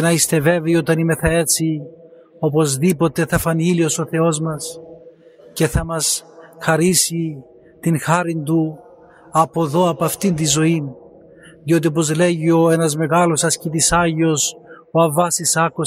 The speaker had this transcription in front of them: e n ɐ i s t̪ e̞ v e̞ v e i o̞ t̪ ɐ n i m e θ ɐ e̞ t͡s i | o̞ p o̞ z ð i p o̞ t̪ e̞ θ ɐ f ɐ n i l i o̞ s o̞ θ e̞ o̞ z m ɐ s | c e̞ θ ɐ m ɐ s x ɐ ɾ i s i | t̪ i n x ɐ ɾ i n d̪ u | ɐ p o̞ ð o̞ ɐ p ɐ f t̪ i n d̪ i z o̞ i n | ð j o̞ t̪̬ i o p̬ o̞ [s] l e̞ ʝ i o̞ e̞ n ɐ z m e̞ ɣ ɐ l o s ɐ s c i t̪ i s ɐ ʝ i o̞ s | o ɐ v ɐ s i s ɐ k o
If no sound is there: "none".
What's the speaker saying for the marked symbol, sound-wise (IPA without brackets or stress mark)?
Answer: z